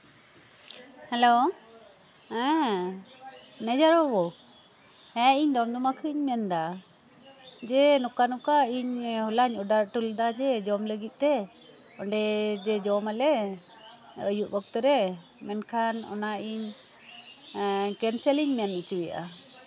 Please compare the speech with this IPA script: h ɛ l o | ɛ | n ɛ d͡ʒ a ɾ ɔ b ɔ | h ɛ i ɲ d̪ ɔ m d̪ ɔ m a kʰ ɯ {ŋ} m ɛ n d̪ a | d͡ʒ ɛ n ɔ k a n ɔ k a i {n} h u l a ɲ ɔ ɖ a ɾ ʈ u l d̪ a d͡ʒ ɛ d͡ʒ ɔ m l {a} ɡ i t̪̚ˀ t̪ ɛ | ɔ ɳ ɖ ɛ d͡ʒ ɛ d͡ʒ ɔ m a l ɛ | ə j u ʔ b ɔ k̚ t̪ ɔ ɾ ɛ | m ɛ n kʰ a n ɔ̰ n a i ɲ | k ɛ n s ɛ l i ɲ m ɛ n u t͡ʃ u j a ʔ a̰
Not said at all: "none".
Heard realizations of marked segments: ɲ, ɲ, ə

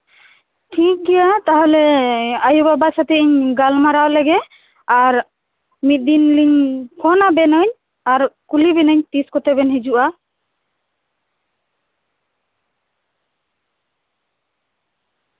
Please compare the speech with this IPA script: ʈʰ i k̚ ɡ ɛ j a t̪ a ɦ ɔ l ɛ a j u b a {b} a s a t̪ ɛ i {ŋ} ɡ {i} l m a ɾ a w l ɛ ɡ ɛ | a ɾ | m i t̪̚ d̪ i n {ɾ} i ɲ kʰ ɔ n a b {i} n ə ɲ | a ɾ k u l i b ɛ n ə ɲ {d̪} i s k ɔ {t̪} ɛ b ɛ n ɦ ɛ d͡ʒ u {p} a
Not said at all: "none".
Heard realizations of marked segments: b, ɲ, a, l, ɛ, t̪, t̪, ʔ

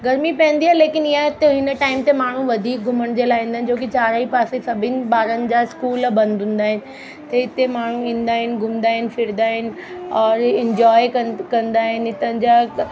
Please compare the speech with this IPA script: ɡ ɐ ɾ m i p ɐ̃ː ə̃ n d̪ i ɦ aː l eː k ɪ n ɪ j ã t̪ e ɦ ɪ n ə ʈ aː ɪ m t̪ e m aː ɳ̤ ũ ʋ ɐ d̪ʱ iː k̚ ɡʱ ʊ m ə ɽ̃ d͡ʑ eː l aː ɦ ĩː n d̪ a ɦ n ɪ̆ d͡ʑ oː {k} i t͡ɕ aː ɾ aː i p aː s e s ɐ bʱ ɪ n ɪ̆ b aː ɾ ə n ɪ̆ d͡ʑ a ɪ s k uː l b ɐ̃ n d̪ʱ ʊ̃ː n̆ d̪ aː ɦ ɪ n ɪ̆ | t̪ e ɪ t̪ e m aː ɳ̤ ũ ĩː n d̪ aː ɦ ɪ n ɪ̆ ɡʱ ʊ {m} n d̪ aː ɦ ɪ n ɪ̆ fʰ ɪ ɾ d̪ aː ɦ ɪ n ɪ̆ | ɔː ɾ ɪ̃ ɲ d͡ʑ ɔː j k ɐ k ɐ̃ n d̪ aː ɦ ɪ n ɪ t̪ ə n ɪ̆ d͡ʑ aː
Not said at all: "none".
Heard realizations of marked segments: k, m

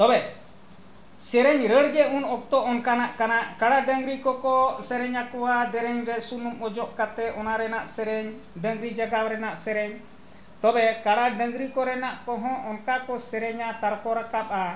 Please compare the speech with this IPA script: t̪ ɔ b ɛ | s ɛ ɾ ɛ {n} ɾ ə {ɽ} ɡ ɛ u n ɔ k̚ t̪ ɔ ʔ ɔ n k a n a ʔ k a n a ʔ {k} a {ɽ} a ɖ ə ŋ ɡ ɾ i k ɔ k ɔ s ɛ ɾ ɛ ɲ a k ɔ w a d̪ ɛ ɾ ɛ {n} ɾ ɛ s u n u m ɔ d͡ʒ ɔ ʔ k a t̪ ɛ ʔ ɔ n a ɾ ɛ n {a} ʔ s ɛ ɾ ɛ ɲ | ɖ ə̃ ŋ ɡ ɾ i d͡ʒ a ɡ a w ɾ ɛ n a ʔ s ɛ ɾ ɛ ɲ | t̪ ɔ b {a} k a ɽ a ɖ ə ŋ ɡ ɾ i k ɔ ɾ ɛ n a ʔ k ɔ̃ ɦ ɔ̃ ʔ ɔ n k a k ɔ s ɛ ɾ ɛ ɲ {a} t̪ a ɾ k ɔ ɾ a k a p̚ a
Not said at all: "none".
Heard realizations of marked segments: ɲ, ɽ, k, ɽ, ɲ, a, ɛ, a

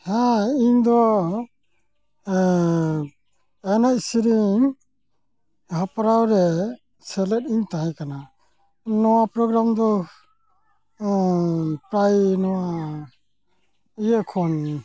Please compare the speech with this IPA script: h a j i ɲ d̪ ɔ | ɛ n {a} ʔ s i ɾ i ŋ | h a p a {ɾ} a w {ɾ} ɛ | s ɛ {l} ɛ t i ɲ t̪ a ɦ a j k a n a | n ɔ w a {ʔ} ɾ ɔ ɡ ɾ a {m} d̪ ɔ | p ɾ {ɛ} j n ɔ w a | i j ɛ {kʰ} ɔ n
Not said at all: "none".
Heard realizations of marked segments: a, ɾ, ɾ, l, p, m, a, kʰ

